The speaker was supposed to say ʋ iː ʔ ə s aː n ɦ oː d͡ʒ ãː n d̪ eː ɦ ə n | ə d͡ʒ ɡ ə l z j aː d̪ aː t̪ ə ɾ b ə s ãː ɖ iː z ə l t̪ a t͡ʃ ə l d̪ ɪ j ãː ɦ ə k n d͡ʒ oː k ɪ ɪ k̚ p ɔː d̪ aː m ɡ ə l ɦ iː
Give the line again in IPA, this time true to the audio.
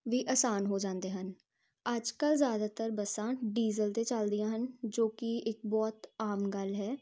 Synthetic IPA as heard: ʋ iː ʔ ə s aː n ɦ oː d͡ʒ ãː n d̪ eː ɦ ə n | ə d͡ʒ k ə l z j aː d̪ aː t̪ ə ɾ b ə s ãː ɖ iː z ə l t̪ e t͡ʃ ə l d̪ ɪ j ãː ɦ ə n d͡ʒ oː k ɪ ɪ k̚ b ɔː t̪ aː m ɡ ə l ɦ ɛː